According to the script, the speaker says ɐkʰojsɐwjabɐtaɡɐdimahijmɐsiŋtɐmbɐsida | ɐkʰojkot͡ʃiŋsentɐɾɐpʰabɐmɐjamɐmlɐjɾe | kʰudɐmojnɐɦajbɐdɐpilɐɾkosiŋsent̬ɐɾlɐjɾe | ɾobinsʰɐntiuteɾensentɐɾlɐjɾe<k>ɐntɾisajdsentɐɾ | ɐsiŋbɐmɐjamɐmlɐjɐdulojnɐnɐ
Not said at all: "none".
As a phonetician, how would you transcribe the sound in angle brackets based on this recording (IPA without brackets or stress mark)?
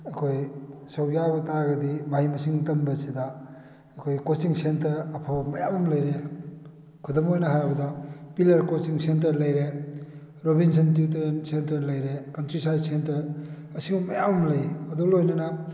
k